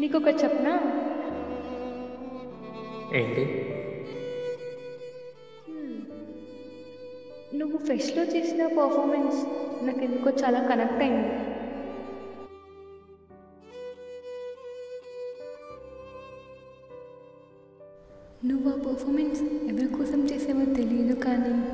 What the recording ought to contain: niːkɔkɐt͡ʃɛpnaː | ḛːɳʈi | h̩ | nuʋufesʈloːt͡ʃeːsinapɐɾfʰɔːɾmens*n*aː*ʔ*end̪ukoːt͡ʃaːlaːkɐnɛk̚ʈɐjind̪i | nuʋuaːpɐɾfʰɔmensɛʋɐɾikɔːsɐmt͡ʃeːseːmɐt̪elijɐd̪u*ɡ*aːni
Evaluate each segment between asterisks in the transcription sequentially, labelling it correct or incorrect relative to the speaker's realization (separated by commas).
correct, incorrect, incorrect